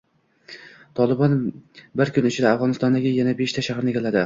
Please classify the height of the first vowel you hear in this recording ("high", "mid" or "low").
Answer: low